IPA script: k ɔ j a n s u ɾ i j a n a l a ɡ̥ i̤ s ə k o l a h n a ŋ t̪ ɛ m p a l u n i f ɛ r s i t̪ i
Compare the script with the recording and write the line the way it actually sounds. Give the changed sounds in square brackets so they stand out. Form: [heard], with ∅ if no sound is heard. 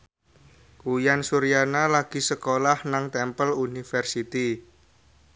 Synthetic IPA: k [u] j a n s u ɾ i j a n a l a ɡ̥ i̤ s ə k o l a h n a ŋ t̪ ɛ m p [ə] l u n i f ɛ r s i t̪ i